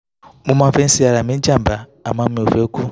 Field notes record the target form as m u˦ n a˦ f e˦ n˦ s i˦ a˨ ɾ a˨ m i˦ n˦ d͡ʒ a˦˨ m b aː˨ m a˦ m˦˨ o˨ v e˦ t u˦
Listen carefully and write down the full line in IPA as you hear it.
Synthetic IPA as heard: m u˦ m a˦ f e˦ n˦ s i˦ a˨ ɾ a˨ m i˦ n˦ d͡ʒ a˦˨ m b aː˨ m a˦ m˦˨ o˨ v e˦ k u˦